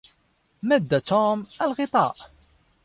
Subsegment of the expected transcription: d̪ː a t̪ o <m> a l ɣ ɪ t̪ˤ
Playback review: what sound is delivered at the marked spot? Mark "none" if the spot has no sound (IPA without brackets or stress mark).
m